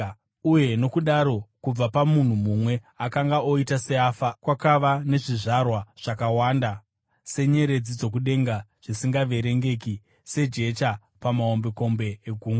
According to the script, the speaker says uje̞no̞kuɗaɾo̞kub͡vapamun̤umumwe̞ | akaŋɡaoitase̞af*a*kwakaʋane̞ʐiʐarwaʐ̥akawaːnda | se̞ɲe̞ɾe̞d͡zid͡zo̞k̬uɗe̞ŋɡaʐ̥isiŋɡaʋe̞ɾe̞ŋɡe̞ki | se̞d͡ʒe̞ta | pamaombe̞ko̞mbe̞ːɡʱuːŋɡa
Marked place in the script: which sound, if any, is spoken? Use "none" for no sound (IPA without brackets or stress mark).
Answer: a